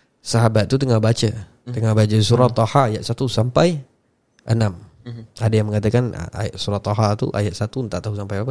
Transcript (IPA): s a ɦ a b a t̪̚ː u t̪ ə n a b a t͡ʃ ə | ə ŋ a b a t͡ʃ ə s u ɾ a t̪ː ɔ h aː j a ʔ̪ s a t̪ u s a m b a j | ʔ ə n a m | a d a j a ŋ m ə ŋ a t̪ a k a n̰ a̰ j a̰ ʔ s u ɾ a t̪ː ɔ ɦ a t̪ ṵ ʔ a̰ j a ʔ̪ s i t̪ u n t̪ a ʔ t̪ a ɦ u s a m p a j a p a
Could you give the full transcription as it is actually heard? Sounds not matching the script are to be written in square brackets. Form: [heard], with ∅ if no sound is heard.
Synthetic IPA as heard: s a ɦ a b a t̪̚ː u t̪ ə [ŋ] a b a t͡ʃ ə | ə ŋ a b a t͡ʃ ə s u ɾ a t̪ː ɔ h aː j a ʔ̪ s a t̪ u s a m [p] a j | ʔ ə n a m | a d a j a ŋ m ə ŋ a t̪ a k a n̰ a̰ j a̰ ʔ s u ɾ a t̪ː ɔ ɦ a t̪ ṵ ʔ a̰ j a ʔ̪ s [a] t̪ u n t̪ a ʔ t̪ a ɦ u s a m p a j a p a